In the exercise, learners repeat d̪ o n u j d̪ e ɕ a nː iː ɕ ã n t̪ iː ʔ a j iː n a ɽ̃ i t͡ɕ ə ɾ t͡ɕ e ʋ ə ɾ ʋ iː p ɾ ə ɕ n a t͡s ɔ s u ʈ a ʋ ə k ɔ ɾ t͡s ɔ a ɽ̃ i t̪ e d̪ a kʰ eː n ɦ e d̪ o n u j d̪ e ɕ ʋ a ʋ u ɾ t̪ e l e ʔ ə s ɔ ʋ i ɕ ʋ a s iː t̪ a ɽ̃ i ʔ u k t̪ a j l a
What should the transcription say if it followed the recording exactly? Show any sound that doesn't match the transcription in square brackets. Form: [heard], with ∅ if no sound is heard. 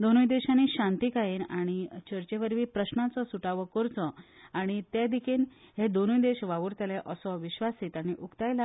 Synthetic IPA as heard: d̪ o n u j d̪ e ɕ a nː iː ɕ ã n t̪ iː [k] a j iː n a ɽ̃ i t͡ɕ ə ɾ t͡ɕ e ʋ ə ɾ ʋ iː p ɾ ə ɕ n a t͡s ɔ s u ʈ a ʋ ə k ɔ ɾ t͡s ɔ a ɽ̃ i t̪ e d̪ [i] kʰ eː n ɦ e d̪ o n u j d̪ e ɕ ʋ a ʋ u ɾ t̪ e l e ʔ ə s ɔ ʋ i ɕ ʋ a s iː t̪ a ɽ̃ i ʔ u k t̪ a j l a